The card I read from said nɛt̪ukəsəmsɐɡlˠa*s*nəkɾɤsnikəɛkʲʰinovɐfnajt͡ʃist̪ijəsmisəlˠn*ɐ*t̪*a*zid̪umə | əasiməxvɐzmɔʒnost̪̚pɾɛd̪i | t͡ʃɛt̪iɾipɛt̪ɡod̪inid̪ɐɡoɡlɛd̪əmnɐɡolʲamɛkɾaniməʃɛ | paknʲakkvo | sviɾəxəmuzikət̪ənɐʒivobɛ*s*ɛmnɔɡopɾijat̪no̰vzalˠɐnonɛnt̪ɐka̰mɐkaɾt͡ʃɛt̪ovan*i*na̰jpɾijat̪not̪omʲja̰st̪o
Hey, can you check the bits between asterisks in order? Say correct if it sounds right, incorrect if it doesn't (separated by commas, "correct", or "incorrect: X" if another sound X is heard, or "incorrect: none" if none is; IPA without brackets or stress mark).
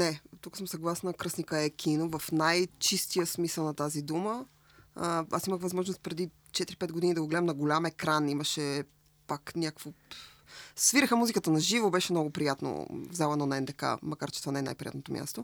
correct, correct, correct, incorrect: ʃ, incorrect: ɛ